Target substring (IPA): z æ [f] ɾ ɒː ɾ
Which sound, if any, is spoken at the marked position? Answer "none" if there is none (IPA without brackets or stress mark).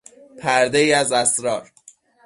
s